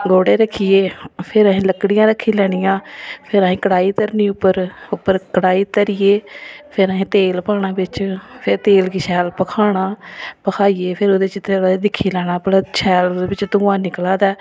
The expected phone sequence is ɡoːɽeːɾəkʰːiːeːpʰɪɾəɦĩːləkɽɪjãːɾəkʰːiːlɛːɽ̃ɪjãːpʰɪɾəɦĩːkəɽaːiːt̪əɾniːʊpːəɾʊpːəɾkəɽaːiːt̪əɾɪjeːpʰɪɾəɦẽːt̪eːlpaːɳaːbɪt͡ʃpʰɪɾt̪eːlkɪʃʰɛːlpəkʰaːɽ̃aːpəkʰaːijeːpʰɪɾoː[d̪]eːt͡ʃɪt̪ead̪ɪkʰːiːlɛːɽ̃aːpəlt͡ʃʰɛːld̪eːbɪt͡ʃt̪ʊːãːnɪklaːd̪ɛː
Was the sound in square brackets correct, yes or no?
yes